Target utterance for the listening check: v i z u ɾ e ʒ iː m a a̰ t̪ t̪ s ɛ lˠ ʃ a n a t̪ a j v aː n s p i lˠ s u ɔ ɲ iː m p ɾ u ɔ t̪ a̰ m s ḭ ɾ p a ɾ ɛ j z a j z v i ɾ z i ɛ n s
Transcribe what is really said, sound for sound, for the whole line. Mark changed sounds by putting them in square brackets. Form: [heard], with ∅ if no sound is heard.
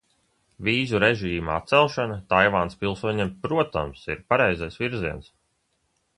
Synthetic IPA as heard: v [iː] z u ɾ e ʒ iː m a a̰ t̪ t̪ s ɛ lˠ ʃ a n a t̪ a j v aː n s p i lˠ s u ɔ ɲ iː m p ɾ u ɔ t̪ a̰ m s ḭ ɾ p a ɾ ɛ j z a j [s] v i ɾ z i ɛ n s